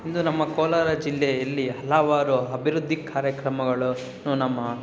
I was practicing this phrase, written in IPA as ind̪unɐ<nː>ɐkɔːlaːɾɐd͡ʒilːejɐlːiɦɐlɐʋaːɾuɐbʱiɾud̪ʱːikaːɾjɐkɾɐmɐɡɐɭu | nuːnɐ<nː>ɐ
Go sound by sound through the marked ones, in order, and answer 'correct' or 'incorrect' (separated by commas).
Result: incorrect, incorrect